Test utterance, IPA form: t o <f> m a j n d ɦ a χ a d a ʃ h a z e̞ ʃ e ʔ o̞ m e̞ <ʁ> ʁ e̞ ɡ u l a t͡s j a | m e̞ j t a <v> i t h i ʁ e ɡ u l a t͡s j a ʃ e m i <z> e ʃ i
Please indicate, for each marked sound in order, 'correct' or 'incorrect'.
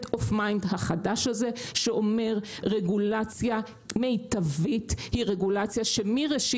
correct, correct, correct, incorrect: ʁ

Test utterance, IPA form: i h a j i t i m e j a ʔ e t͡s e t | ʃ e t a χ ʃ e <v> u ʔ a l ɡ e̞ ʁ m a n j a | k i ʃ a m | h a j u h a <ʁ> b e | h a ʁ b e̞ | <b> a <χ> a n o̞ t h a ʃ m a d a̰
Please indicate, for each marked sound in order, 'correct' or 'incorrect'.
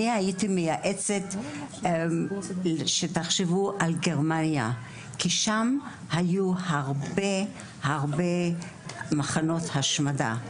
correct, correct, incorrect: m, correct

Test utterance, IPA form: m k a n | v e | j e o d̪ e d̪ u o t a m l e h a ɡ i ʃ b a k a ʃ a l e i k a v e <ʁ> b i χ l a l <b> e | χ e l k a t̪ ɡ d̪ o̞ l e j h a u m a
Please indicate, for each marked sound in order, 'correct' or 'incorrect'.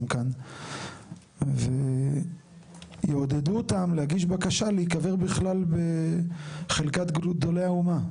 correct, correct

